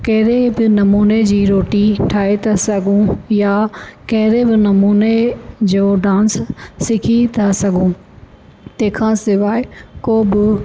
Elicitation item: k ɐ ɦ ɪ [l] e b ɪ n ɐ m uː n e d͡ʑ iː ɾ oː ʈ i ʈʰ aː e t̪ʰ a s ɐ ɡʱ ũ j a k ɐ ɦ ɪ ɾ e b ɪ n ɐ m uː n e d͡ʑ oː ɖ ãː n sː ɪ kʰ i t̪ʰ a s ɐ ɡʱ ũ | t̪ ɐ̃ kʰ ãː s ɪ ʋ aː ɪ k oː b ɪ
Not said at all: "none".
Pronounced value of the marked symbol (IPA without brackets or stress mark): ɾ